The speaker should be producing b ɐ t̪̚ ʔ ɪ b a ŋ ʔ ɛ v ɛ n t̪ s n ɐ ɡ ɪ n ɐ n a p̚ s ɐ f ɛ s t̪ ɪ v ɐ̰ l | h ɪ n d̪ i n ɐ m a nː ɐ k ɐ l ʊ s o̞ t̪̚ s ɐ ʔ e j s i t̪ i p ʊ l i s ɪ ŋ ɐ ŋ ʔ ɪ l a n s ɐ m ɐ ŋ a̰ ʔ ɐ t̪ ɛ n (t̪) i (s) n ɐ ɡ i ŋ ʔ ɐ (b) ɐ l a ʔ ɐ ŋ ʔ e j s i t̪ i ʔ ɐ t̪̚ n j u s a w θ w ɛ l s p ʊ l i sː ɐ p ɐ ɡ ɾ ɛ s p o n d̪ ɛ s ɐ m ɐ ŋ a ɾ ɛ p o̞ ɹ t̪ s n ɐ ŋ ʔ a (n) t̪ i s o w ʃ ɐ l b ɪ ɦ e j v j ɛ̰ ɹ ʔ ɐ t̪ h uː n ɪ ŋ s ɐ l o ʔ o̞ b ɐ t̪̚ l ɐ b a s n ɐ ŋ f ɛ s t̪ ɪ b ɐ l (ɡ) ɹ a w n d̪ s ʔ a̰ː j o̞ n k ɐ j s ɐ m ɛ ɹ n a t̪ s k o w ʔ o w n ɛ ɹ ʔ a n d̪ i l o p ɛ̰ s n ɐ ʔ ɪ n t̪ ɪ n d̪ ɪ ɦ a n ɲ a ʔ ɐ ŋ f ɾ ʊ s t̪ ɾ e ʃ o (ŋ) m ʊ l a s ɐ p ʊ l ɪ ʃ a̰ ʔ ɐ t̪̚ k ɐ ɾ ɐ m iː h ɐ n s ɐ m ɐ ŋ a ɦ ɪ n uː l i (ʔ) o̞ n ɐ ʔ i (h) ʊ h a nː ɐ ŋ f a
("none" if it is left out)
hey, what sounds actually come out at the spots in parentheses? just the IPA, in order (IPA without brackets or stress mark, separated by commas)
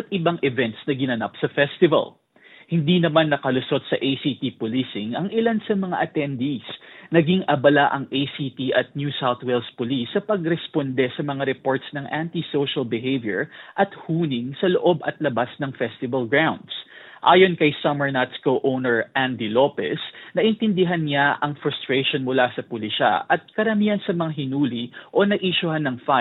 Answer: d̪, s, b, n, ɡ, n, ʔ, ʃ